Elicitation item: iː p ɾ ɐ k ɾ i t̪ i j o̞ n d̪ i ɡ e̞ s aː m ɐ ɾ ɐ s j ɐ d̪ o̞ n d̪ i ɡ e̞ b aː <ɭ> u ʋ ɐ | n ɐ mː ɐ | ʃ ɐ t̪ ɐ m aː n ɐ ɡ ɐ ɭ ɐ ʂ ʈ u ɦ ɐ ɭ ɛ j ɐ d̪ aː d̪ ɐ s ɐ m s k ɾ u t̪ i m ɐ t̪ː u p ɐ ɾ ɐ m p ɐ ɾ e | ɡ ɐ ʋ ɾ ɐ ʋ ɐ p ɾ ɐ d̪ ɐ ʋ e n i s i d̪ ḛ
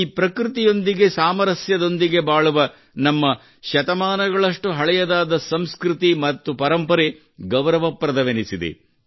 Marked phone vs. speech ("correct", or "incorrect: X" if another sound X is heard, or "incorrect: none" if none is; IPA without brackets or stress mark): correct